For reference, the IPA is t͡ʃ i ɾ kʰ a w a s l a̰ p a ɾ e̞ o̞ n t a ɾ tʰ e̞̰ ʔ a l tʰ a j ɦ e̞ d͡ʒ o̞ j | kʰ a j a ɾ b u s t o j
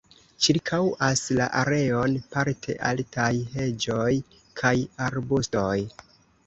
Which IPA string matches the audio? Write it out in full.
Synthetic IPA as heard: t͡ʃ i ɾ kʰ a w a s l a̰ ʔ a ɾ e̞ o̞ n p a ɾ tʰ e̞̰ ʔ a l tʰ a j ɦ e̞ d͡ʒ o̞ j | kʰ a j a ɾ b u s t o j